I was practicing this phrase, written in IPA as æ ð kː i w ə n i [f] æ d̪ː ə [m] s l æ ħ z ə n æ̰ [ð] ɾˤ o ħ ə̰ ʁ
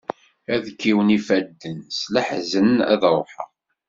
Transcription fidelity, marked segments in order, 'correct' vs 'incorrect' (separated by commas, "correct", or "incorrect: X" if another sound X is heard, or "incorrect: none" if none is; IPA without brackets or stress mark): correct, incorrect: n, correct